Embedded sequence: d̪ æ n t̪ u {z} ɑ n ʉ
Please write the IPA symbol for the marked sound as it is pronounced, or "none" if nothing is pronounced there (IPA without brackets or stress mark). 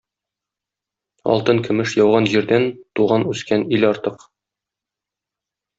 ʁ